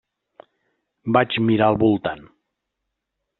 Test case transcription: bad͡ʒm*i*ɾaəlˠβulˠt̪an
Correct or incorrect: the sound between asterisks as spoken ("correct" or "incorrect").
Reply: correct